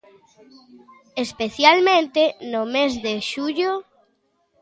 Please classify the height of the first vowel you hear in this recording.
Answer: mid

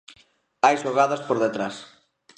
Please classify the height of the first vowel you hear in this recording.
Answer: low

